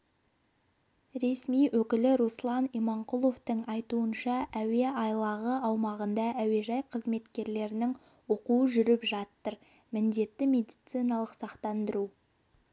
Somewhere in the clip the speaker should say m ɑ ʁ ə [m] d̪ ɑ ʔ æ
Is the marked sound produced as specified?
no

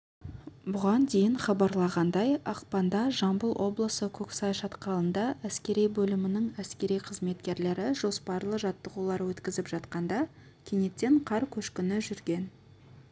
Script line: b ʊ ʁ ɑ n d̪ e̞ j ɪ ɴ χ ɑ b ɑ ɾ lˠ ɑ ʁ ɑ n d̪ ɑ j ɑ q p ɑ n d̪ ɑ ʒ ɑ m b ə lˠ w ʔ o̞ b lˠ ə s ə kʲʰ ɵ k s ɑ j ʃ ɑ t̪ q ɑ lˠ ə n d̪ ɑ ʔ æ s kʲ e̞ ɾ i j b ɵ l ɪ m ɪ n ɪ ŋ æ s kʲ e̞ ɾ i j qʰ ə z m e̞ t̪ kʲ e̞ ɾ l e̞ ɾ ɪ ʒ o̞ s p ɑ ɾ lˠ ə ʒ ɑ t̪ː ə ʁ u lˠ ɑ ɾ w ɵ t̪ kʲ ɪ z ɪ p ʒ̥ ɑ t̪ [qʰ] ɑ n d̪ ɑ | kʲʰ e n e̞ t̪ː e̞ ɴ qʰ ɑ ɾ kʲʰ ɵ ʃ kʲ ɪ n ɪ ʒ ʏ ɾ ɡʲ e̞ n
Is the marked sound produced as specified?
no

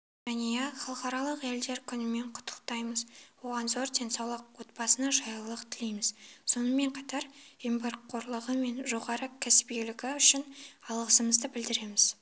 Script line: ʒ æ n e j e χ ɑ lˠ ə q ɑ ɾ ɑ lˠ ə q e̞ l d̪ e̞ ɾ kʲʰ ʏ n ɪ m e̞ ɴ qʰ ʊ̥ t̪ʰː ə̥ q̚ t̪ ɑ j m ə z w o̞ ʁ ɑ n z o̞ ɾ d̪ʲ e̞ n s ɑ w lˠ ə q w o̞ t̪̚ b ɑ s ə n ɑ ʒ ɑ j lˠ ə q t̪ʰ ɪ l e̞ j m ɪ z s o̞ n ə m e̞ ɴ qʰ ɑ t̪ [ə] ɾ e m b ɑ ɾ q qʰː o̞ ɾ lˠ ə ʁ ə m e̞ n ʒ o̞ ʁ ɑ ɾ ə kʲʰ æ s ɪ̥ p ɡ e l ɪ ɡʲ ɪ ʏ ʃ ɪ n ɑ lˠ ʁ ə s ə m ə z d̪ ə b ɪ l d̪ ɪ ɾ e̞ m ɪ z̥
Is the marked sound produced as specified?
no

